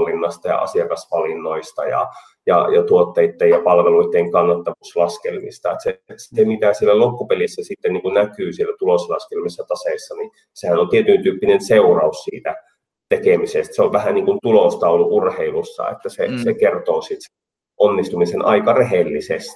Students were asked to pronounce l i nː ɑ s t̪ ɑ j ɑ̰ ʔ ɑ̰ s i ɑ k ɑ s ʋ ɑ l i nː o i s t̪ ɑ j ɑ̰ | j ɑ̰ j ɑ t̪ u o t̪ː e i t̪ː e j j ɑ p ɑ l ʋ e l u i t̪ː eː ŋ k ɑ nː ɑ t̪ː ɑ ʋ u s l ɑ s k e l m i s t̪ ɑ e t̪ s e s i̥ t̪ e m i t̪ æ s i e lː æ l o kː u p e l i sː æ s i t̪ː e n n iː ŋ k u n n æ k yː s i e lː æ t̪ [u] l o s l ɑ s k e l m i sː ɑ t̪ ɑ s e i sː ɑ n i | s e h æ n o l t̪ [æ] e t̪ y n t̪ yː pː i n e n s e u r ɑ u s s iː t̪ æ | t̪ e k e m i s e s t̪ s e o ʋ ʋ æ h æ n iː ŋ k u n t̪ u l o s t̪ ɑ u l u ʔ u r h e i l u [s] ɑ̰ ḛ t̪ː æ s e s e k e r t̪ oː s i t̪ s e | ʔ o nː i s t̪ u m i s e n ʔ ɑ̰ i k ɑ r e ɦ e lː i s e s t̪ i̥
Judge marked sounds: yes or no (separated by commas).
yes, no, no